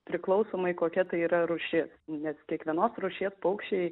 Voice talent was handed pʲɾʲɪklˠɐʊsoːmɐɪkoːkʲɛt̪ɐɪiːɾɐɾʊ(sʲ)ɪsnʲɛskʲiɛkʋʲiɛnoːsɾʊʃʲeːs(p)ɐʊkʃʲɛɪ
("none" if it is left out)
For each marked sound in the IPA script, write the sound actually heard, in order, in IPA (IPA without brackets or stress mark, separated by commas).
ʃʲ, p